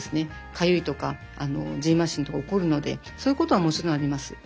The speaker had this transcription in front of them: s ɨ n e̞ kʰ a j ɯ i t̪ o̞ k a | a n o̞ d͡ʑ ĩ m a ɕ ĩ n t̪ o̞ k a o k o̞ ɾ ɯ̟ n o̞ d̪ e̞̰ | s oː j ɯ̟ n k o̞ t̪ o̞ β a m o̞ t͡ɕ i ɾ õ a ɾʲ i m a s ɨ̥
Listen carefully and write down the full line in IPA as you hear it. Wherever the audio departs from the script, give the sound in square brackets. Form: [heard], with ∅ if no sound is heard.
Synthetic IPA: s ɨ n e̞ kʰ a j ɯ i t̪ o̞ k a | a n o̞ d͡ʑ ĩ m a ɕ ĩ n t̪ o̞ k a o k o̞ ɾ ɯ̟ n o̞ d̪ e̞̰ | s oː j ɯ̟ [∅] k o̞ t̪ o̞ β a m o̞ t͡ɕ i ɾ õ a ɾʲ i m a s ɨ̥